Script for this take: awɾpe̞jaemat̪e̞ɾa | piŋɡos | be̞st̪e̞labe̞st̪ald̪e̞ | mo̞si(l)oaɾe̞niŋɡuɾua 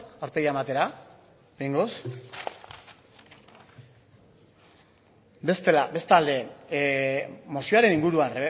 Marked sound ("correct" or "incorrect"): incorrect